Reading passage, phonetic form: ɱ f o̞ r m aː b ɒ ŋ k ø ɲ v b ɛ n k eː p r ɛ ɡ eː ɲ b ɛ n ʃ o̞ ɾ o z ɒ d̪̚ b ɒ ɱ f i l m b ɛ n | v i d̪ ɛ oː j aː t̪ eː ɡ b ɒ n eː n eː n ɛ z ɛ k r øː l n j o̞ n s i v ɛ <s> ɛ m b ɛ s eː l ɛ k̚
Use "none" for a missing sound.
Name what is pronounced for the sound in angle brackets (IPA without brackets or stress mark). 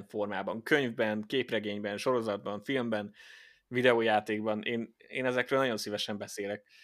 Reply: ʃ